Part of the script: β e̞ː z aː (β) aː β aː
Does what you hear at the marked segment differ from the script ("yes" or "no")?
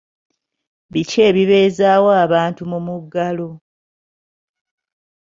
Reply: yes